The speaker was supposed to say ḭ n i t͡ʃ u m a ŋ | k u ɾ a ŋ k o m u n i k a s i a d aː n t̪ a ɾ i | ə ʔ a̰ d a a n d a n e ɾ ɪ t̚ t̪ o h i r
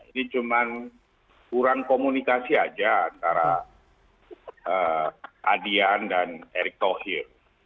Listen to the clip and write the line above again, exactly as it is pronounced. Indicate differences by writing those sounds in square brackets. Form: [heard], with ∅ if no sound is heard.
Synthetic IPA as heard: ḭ n i t͡ʃ u m a [n] | k u ɾ a ŋ k o m u n i k a s i a [d͡ʒ] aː n t̪ a ɾ [a] | ə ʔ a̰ d [i] a n d a n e ɾ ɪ [k̚] t̪ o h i r